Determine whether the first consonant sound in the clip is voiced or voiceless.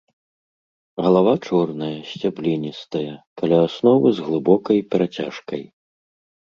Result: voiced